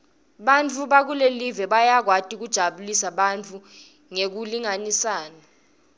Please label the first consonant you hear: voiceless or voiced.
voiced